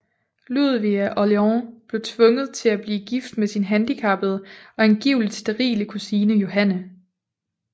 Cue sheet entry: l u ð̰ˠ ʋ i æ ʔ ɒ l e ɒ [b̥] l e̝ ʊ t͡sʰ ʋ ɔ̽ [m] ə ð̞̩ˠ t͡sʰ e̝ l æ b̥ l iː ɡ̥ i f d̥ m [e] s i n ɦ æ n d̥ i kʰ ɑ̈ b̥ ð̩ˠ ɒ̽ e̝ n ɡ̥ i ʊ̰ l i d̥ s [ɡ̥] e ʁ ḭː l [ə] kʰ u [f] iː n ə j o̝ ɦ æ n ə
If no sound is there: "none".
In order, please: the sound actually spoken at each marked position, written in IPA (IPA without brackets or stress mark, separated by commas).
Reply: b̥, ŋ, e, d̥, ə, s